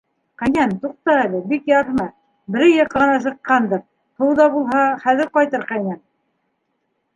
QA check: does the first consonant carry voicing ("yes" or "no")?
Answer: no